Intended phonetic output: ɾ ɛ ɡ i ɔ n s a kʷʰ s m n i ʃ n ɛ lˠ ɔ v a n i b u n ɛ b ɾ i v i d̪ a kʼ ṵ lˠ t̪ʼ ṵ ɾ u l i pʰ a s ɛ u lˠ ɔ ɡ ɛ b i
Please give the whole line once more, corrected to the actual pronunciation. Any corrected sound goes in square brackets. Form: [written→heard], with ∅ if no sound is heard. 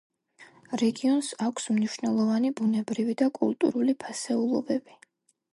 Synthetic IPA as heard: ɾ ɛ ɡ i ɔ n s a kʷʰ s m n i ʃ n ɛ lˠ ɔ v a n i b u n ɛ b ɾ i v i d̪ a kʼ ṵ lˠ t̪ʼ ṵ ɾ u l i pʰ a s ɛ u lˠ ɔ [ɡ→b] ɛ b i